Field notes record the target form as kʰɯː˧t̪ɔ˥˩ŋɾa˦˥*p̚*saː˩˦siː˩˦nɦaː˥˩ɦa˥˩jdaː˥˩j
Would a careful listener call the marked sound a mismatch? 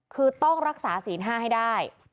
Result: yes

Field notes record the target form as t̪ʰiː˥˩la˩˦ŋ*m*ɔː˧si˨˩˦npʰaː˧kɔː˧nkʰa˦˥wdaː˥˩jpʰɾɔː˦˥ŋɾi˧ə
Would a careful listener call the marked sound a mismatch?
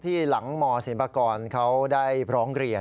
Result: no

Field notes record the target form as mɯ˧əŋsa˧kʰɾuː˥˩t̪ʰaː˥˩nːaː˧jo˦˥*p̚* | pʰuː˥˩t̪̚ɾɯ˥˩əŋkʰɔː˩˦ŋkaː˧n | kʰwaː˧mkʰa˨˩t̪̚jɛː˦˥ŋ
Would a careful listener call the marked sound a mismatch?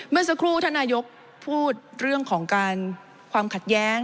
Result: yes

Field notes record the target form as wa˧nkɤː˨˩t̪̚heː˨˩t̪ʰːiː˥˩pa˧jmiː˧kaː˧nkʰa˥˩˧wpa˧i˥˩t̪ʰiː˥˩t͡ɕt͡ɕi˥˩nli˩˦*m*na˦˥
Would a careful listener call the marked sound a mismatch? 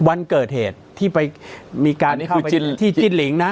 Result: yes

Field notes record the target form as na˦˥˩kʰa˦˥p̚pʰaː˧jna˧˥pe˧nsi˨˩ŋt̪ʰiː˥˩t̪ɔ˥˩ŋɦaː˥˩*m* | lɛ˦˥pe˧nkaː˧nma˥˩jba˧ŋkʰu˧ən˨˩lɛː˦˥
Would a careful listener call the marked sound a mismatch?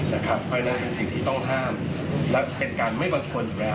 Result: no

